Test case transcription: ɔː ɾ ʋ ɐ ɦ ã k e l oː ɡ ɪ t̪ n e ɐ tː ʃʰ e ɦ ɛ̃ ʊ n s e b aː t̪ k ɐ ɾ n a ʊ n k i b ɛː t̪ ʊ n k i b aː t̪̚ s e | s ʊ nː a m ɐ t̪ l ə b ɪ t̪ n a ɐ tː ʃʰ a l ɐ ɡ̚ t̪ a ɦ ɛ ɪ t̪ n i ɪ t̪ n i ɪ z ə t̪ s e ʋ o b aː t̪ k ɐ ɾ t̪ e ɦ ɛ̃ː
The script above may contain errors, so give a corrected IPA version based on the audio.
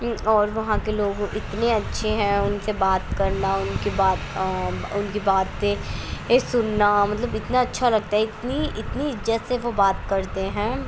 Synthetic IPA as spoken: ɔː ɾ ʋ ɐ ɦ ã k e l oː ɡ ɪ t̪ n e ɐ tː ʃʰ e ɦ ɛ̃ ʊ n s e b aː t̪ k ɐ ɾ n a ʊ n k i b aː t̪ ʊ n k i b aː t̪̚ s e | s ʊ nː a m ɐ t̪ l ə b ɪ t̪ n a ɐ tː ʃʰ a l ɐ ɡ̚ t̪ a ɦ ɛ ɪ t̪ n i ɪ t̪ n i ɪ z ə t̪ s e ʋ o b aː t̪ k ɐ ɾ t̪ e ɦ ɛ̃ː

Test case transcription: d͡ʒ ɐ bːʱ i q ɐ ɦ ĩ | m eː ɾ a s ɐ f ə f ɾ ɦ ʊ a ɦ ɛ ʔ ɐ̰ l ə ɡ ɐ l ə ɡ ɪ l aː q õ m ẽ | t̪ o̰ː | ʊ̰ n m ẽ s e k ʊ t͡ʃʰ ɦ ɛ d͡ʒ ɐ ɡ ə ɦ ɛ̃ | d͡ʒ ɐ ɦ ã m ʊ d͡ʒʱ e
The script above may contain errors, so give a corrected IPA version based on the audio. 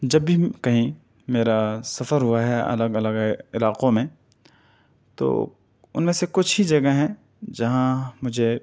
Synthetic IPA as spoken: d͡ʒ ɐ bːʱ i k ɐ ɦ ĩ | m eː ɾ a s ɐ f ə ɾ ɦ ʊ a ɦ ɛ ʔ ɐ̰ l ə ɡ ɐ l ə ɡ ɪ l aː q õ m ẽ | t̪ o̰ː | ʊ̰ n m ẽ s e k ʊ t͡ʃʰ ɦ i d͡ʒ ɐ ɡ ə ɦ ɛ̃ | d͡ʒ ɐ ɦ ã m ʊ d͡ʒʱ e

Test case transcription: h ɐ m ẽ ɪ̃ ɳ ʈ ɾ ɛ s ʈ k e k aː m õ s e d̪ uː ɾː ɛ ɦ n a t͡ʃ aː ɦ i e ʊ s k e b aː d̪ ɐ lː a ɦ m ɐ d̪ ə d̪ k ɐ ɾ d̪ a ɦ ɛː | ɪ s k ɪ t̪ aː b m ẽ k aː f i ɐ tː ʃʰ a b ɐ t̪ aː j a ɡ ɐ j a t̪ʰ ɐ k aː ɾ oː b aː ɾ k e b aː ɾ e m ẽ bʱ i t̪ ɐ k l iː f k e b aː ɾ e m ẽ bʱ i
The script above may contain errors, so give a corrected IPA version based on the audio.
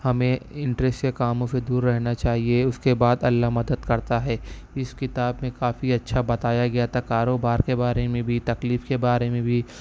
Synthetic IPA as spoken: h ɐ m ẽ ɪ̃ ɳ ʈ ɾ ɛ s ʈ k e k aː m õ s e d̪ uː ɾː ɛ ɦ n a t͡ʃ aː ɦ i e ʊ s k e b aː d̪ ɐ lː a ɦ m ɐ d̪ ə d̪ k ɐ ɾ t̪ a ɦ ɛː | ɪ s k ɪ t̪ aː b m ẽ k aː f i ɐ tː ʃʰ a b ɐ t̪ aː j a ɡ ɐ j a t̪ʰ a k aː ɾ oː b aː ɾ k e b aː ɾ e m ẽ bʱ i t̪ ɐ k l iː f k e b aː ɾ e m ẽ bʱ i

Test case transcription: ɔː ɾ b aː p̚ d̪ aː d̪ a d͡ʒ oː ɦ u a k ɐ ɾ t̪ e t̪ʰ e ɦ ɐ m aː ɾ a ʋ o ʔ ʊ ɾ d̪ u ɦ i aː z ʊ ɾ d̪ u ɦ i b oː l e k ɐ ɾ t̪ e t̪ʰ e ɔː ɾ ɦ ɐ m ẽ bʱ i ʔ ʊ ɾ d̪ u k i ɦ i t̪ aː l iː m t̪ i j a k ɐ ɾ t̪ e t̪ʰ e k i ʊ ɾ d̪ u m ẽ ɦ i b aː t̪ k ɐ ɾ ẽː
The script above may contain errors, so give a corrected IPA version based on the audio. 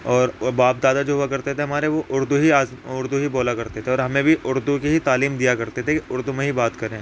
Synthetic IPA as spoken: ɔː ɾ b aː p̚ d̪ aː d̪ a d͡ʒ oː ɦ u a k ɐ ɾ t̪ e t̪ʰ e ɦ ɐ m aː ɾ e ʋ o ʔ ʊ ɾ d̪ u ɦ i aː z ʊ ɾ d̪ u ɦ i b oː l a k ɐ ɾ t̪ e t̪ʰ e ɔː ɾ ɦ ɐ m ẽ bʱ i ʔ ʊ ɾ d̪ u k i ɦ i t̪ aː l iː m d̪ i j a k ɐ ɾ t̪ e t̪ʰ e k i ʊ ɾ d̪ u m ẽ ɦ i b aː t̪ k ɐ ɾ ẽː

